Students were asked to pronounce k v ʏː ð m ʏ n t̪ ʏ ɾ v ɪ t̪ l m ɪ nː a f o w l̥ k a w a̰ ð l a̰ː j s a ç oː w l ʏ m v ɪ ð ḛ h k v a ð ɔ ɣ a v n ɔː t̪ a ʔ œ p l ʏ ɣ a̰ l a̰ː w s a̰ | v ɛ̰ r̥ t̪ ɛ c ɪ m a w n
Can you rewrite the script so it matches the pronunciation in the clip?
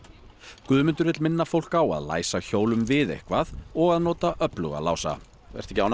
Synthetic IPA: k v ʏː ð m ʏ n t̪ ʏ ɾ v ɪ t̪ l m ɪ nː a f o w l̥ k a w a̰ ð l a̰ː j s a ç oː w l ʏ m v ɪ ð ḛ h k v a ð ɔ ɣ a ð n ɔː t̪ a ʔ œ p l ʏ ɣ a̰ l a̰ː w s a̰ | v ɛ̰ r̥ t̪ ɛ c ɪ a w n